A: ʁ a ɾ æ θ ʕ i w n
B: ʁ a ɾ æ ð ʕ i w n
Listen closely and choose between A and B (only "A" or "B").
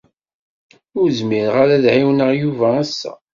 B